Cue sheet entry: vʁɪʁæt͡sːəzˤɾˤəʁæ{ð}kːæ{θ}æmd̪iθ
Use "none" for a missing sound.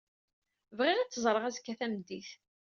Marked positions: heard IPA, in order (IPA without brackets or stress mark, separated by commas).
z, θ